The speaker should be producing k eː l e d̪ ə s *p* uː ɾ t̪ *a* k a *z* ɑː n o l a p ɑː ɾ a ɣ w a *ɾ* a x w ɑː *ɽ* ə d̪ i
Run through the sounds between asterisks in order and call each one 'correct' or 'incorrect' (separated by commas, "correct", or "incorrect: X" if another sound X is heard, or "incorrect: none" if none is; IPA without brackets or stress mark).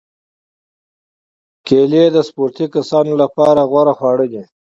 correct, incorrect: i, incorrect: s, correct, correct